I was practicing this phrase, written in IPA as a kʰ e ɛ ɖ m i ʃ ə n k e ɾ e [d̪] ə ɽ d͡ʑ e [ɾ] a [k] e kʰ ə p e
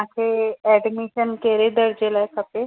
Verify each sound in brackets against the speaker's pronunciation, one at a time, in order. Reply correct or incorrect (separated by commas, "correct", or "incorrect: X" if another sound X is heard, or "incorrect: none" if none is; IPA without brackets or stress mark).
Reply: correct, incorrect: l, incorrect: none